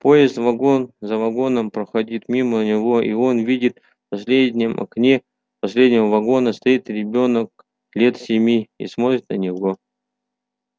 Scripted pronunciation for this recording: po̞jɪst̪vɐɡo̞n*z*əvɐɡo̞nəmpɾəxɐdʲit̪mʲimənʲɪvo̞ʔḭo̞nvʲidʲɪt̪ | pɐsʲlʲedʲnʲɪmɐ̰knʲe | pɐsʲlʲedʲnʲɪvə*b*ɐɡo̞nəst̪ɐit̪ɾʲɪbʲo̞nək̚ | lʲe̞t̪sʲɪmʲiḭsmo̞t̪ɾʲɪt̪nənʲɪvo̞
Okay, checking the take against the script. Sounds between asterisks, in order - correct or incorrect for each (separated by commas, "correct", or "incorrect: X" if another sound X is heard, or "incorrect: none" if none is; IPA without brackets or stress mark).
correct, incorrect: v